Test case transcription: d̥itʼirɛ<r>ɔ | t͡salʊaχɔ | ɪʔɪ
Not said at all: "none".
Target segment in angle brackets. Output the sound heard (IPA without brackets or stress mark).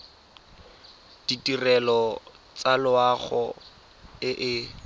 l